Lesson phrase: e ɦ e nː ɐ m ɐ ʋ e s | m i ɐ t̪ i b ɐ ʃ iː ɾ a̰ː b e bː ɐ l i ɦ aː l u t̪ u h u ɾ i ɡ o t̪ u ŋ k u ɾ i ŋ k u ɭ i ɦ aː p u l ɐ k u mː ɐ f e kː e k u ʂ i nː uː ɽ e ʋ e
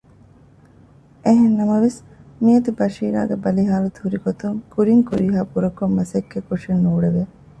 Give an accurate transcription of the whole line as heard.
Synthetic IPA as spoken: e ɦ e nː ɐ m ɐ ʋ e s | m i ɐ t̪ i b ɐ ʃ iː ɾ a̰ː ɡ e b ɐ l i ɦ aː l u t̪ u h u ɾ i ɡ o t̪ u ŋ k u ɾ i ŋ k u ɾ i ɦ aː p u ɾ ɐ k o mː ɐ s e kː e k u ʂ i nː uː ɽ e ʋ e